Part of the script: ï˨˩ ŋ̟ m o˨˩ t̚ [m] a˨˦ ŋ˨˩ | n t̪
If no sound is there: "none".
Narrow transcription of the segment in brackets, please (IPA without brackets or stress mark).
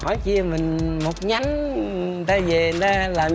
ɲ